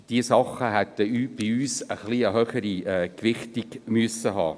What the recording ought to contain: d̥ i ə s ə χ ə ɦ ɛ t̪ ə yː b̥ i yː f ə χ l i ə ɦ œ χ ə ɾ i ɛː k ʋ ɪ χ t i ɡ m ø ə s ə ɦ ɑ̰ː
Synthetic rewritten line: d̥ i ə s ɑ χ ə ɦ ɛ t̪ ə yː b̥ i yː s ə χ l i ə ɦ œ χ ə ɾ i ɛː k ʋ ɪ χ t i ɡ m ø ə s ə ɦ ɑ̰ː